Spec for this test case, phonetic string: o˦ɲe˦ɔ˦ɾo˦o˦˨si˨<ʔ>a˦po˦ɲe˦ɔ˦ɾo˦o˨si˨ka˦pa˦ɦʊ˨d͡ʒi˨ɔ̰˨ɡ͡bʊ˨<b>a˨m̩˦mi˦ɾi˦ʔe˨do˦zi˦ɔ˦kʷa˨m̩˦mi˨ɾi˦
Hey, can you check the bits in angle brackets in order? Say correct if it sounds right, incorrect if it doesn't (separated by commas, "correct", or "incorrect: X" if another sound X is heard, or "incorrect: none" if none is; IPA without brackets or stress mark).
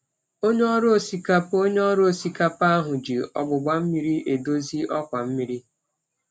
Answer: incorrect: k, incorrect: ɡ͡b